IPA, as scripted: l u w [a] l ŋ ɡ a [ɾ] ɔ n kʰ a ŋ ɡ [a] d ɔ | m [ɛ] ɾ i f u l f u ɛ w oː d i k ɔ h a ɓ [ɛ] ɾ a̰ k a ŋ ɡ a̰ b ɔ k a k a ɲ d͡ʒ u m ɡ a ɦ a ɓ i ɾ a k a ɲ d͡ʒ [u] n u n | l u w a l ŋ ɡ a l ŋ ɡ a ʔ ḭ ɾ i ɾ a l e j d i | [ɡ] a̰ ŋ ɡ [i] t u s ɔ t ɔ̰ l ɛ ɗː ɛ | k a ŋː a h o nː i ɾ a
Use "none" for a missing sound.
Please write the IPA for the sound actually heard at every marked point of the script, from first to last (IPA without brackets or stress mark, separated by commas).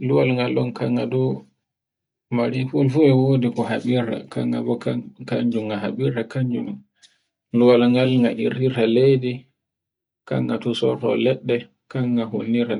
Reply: a, l, a, a, i, u, k, a